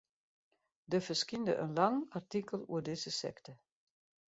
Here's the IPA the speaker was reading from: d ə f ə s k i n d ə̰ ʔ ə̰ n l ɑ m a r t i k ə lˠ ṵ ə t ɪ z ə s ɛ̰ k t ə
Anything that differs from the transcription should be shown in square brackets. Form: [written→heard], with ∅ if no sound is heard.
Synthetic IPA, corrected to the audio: d ə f ə s k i n d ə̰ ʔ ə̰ n l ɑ [m→ŋ] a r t i k ə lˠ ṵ ə [t→d] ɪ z ə s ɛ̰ k t ə